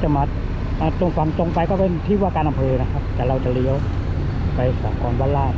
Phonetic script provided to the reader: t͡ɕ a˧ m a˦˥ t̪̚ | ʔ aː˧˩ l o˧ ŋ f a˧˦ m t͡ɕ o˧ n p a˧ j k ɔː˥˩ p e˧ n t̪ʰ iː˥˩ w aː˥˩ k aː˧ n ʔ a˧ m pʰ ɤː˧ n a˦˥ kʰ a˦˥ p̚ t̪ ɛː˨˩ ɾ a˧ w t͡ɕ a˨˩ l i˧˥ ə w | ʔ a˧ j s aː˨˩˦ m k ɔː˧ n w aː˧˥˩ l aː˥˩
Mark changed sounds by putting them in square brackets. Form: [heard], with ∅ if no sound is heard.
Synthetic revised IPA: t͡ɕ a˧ m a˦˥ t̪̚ | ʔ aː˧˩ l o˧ ŋ f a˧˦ [ŋ] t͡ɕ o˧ [ŋ] p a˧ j k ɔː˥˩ p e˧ n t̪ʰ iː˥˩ w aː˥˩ k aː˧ n ʔ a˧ m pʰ ɤː˧ n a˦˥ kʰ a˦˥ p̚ t̪ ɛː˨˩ ɾ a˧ w t͡ɕ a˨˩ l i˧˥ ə w | [p] a˧ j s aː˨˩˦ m k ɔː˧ n w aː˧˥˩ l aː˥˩